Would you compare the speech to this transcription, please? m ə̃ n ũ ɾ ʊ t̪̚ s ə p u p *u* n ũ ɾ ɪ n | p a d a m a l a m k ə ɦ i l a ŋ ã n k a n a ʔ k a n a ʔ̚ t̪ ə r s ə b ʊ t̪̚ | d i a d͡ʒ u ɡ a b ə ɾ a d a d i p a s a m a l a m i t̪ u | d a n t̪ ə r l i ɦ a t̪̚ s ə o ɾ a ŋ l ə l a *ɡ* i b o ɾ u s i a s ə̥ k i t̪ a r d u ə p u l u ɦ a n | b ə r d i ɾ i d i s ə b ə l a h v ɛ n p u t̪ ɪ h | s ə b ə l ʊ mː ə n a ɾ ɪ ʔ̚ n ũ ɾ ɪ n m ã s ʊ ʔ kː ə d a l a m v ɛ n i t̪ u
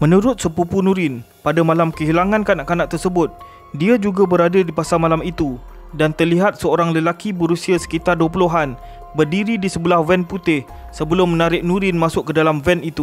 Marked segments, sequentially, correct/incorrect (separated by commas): correct, incorrect